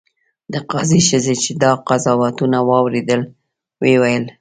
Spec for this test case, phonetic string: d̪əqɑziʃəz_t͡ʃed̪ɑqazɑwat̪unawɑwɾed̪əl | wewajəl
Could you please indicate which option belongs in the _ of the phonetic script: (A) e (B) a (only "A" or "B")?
A